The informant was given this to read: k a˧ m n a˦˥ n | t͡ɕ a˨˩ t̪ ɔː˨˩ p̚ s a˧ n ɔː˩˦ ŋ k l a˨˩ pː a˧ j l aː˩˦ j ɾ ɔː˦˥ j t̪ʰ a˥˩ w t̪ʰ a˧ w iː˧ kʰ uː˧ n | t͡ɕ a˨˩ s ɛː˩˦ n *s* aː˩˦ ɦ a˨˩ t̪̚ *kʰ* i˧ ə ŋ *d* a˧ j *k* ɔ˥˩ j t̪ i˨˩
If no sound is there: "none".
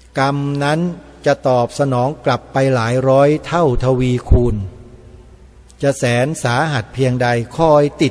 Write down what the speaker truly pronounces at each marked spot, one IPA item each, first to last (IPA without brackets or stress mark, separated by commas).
s, pʰ, d, kʰ